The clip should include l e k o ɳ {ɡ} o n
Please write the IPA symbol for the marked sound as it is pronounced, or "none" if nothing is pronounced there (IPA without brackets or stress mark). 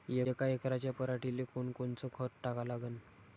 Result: k